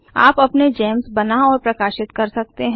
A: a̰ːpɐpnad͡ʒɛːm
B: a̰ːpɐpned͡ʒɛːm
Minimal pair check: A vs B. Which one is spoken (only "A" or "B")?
B